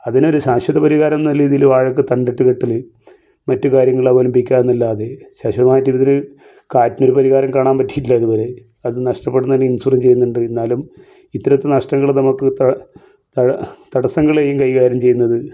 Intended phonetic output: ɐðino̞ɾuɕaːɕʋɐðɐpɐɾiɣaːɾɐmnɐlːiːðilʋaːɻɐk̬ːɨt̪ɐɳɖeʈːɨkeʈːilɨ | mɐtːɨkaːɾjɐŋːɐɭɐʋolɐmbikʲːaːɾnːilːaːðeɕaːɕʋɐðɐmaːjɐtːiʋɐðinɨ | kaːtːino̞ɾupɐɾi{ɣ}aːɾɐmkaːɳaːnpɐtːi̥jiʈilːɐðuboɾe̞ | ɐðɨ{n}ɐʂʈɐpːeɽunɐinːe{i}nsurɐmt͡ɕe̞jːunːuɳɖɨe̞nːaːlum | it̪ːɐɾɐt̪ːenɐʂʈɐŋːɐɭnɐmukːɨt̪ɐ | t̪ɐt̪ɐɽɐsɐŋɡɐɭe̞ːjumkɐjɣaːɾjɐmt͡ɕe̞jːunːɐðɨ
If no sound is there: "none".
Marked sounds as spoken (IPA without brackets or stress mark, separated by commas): ɣ, n, i